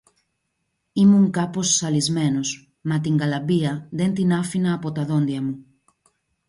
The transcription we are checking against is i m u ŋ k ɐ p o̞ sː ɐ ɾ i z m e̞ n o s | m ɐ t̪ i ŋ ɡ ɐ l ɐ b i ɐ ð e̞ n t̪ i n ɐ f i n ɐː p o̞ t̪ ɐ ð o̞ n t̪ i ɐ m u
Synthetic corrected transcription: i m u ŋ k ɐ p o̞ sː ɐ l i z m e̞ n o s | m ɐ t̪ i ŋ ɡ ɐ l ɐ b i ɐ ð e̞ n t̪ i n ɐ f i n ɐː p o̞ t̪ ɐ ð o̞ n d̪ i ɐ m u